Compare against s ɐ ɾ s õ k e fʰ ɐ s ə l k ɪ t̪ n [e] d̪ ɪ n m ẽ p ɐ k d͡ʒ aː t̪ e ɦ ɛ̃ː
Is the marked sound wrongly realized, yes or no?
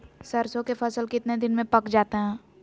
no